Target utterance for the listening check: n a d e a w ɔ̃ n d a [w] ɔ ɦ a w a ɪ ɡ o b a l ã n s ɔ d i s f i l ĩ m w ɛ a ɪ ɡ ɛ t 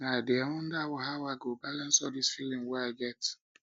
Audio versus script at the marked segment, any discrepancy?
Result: no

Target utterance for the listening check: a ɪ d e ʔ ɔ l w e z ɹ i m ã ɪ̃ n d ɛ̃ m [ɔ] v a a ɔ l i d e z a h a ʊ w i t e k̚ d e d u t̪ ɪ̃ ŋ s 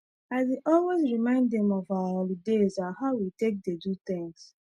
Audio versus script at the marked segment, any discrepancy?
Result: no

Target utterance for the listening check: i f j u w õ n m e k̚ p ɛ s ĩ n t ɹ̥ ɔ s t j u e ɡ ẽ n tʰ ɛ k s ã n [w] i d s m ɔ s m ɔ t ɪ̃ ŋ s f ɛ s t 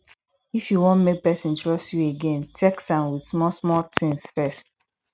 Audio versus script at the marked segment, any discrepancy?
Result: no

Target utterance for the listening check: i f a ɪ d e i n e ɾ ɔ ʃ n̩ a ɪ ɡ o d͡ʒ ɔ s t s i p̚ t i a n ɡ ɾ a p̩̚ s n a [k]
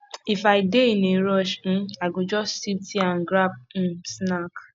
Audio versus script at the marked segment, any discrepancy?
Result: no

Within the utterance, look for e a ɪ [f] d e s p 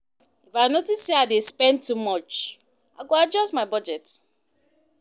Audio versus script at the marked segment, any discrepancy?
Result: yes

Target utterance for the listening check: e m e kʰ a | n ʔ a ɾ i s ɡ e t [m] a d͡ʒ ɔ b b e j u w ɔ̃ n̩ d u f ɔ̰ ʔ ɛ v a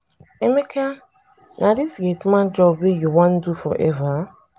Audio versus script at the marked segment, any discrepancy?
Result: no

